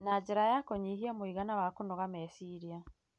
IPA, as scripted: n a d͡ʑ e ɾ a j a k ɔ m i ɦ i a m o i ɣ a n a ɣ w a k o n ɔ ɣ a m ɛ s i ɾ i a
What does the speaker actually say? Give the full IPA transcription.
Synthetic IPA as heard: n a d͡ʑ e ɾ a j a k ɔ ɲ i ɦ i a m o i ɣ a n a w a k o n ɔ ɣ a m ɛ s i ɾ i a